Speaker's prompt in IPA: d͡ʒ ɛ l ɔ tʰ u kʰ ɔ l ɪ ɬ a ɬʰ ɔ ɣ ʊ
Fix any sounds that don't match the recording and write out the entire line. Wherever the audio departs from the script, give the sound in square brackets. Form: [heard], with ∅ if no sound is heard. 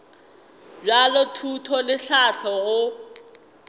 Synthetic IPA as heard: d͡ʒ [a] l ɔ tʰ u [tʰ] ɔ l ɪ ɬ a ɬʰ ɔ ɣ ʊ